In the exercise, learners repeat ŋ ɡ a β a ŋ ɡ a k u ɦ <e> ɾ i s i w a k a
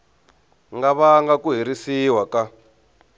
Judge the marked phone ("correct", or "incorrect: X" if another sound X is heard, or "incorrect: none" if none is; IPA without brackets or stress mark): incorrect: i